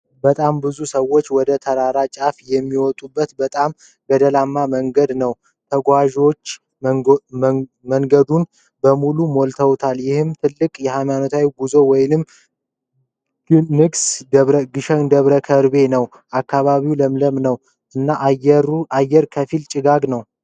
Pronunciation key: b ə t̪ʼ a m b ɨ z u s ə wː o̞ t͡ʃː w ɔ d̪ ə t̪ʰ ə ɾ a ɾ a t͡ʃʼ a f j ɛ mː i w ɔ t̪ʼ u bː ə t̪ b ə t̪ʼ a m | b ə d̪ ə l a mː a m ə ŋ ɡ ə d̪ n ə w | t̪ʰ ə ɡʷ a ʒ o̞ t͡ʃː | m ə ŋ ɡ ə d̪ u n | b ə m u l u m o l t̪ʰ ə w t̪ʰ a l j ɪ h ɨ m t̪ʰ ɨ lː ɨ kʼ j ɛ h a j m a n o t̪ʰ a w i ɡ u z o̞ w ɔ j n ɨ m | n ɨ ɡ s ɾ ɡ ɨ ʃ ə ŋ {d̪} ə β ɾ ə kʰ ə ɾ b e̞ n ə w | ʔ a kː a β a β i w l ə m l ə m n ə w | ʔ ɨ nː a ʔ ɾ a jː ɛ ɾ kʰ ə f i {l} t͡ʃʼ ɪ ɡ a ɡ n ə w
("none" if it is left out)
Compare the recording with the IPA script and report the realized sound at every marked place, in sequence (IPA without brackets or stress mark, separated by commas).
d̪, l